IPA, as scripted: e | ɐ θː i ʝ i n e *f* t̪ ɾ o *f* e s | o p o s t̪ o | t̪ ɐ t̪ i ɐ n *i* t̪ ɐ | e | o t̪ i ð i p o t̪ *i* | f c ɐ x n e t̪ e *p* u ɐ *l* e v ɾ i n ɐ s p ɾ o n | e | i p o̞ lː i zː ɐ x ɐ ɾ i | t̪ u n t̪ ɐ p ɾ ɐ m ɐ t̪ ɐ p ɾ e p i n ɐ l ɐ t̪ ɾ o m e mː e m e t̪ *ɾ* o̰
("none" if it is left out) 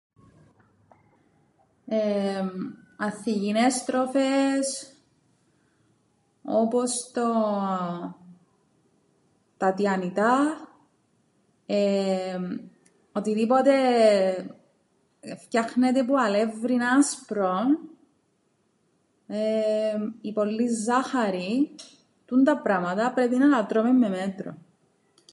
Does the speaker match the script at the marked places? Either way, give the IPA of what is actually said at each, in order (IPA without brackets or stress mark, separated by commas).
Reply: s, f, i, e, p, l, ɾ